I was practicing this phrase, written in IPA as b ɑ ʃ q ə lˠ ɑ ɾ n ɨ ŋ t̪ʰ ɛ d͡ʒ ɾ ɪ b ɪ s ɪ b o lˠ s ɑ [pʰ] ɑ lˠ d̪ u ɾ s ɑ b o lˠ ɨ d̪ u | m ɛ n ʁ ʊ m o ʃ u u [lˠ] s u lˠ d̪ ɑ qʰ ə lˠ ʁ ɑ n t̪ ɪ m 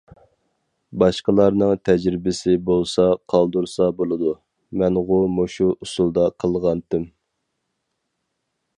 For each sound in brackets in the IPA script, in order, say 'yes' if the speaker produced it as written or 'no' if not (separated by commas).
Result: no, no